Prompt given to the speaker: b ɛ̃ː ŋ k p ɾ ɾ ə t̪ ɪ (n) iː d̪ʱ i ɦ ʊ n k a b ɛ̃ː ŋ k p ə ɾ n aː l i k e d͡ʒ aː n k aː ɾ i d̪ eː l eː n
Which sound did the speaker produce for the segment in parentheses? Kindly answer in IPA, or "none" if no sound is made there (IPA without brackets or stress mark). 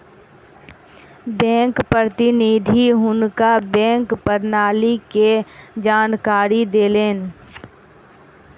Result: n